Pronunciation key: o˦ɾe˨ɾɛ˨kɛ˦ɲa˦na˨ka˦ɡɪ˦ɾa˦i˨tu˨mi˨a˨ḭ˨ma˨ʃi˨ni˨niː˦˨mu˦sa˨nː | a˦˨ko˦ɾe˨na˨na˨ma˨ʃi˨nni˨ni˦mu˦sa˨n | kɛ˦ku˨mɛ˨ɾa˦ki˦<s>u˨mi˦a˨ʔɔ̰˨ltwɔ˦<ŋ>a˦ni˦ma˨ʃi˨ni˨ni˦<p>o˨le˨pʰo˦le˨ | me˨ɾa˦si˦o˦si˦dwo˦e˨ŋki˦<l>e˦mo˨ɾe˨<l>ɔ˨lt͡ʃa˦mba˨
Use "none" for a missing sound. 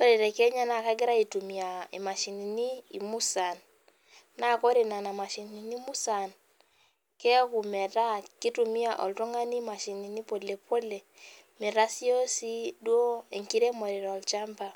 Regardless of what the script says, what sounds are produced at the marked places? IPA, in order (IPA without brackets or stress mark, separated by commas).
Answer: t, ŋ, p, ɾ, ɾ